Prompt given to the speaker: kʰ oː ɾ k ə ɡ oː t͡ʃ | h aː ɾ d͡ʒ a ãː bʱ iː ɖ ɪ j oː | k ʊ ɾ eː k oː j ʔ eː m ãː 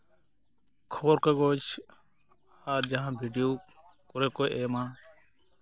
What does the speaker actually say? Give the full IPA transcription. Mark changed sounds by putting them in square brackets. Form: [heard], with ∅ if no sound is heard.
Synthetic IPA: kʰ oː ɾ k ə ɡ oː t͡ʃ | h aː ɾ d͡ʒ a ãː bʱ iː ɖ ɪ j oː | k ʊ ɾ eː k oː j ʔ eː m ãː

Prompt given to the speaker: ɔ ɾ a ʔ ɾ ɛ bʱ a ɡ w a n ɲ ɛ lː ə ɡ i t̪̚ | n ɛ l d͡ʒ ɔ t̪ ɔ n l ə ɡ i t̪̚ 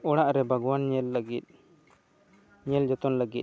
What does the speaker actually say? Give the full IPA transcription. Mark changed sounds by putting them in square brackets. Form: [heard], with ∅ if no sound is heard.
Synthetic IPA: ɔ [ɽ] a ʔ ɾ ɛ bʱ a ɡ w a n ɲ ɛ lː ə ɡ i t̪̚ | [ɲ] ɛ l d͡ʒ ɔ t̪ ɔ n l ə ɡ i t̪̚

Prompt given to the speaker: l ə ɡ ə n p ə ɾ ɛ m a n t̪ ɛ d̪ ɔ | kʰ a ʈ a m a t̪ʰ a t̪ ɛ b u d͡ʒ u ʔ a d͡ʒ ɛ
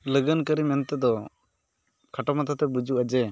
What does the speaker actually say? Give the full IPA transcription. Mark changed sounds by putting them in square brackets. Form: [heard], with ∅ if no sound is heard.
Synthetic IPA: l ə ɡ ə n [k] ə ɾ [i] m [ɛ] n t̪ ɛ d̪ ɔ | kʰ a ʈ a m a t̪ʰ a t̪ ɛ b u d͡ʒ u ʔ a d͡ʒ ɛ

